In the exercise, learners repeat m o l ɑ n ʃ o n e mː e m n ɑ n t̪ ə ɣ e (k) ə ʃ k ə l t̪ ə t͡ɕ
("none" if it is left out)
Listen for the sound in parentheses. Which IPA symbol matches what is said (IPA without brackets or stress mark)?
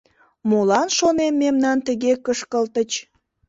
k